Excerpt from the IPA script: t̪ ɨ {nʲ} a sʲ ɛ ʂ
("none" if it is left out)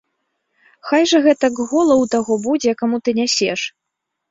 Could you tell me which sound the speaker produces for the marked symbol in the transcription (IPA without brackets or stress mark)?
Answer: nʲ